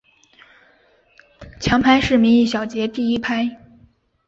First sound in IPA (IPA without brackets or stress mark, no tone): t͡ɕʰ